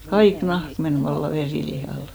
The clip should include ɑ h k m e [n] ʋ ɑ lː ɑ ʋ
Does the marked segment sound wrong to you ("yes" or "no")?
no